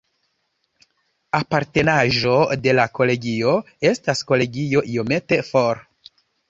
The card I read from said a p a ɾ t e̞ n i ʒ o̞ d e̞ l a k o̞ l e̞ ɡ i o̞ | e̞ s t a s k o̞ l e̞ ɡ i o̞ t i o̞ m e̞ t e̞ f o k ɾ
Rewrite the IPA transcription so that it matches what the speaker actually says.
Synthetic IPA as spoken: a p a ɾ t e̞ n a ʒ o̞ d e̞ l a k o̞ l e̞ ɡ i o̞ | e̞ s t a s k o̞ l e̞ ɡ i o̞ ʔ i o̞ m e̞ t e̞ f o ɾ